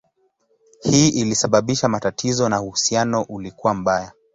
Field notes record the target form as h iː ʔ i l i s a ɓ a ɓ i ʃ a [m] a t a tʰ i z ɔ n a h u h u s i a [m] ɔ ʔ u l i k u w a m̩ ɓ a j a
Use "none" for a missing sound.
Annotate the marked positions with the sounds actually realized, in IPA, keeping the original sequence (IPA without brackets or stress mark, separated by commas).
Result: m, n